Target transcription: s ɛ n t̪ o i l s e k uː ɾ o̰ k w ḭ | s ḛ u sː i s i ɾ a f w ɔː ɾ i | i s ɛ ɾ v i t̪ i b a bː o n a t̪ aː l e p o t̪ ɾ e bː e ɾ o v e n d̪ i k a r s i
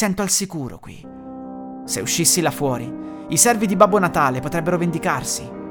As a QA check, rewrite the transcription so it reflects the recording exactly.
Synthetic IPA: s ɛ n t̪ o a l s i k uː ɾ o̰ k w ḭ | s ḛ u ʃː i sː i l a f w ɔː ɾ i | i s ɛ r v i d̪ i b a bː o n a t̪ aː l e p o t̪ ɾ ɛ bː e ɾ o v e n d̪ i k a r s i